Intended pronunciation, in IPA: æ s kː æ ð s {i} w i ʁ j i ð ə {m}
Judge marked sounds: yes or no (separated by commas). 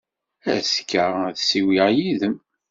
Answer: yes, yes